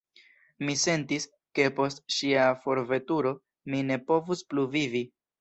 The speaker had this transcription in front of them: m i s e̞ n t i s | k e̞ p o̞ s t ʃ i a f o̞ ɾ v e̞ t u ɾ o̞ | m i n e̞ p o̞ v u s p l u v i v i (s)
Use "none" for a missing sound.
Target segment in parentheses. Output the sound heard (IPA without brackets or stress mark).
none